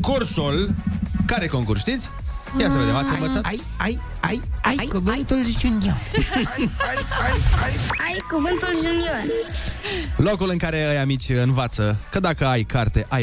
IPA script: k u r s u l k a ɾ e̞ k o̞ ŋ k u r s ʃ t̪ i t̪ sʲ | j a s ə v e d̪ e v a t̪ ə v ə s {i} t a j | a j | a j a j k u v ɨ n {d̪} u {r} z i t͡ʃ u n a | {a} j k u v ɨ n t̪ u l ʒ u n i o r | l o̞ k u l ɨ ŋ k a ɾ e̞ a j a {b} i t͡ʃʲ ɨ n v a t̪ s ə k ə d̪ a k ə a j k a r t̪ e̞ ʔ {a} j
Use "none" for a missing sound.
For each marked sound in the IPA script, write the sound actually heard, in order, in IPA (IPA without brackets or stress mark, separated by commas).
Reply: a, t̪, l, a, m, a